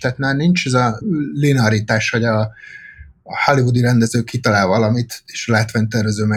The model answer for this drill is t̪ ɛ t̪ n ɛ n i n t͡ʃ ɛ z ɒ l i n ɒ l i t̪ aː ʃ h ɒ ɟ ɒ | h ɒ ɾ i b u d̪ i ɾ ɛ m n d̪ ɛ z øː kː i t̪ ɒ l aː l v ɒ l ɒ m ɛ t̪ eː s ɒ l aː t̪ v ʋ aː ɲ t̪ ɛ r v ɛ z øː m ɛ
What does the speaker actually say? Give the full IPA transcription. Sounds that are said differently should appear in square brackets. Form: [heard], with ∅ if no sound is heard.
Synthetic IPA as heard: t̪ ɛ t̪ n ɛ n i n t͡ʃ ɛ z ɒ l i n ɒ [ɾ] i t̪ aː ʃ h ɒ ɟ ɒ | h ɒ [l] i [v] u d̪ i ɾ ɛ [∅] n d̪ ɛ z øː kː i t̪ ɒ l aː l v ɒ l ɒ m [i] t̪ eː [ʃ] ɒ l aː t̪ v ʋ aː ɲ t̪ ɛ r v ɛ z øː m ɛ